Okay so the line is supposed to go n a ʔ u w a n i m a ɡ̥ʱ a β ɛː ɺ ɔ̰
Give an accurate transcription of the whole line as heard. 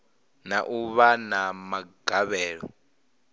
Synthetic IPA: n a ʔ u β a n a m a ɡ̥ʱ a β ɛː ɺ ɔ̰